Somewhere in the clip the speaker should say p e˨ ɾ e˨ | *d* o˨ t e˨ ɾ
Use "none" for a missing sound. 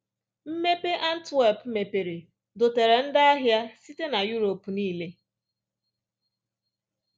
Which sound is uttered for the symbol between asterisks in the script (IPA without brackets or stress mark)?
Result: d